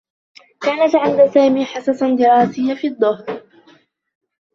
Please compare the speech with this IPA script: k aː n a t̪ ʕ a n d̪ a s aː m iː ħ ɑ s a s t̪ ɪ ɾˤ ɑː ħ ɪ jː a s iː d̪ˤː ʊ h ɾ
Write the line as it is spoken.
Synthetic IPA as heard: k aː n a t̪ ʕ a n d̪ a s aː m iː ħ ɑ s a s d̪ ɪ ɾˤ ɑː s ɪ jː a f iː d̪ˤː ʊ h ɾ